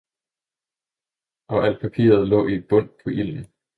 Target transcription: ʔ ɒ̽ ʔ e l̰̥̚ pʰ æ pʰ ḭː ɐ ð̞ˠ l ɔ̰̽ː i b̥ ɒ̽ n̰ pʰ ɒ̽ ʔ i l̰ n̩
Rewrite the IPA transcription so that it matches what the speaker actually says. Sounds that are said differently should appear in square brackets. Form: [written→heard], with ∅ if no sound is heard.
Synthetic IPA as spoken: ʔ ɒ̽ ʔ [e→æ] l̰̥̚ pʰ æ pʰ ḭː ɐ ð̞ˠ l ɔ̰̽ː i b̥ [ɒ̽→ɔ̽] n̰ pʰ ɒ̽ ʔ i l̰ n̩